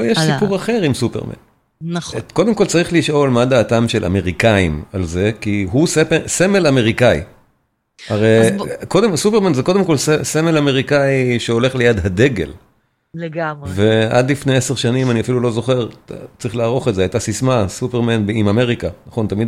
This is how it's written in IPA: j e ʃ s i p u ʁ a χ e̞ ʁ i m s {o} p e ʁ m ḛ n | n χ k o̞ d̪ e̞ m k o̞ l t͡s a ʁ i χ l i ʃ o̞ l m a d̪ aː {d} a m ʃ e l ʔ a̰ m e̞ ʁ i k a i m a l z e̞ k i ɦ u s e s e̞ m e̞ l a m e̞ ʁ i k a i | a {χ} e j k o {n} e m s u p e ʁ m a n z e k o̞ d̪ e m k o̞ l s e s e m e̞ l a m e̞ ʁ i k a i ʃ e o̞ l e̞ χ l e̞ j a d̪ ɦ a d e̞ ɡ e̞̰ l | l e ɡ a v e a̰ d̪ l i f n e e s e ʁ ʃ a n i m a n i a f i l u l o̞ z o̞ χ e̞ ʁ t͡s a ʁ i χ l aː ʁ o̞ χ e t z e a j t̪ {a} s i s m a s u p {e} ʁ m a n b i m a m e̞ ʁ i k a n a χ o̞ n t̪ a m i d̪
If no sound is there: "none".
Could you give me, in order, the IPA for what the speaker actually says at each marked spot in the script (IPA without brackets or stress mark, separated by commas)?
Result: u, t, ʁ, d, a, e